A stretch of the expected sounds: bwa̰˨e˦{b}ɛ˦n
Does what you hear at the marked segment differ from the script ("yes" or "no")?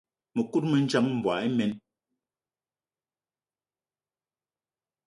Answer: yes